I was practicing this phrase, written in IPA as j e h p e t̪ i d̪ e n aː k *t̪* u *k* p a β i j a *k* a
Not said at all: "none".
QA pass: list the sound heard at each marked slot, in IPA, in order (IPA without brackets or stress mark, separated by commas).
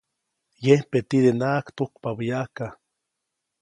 t̪, k, k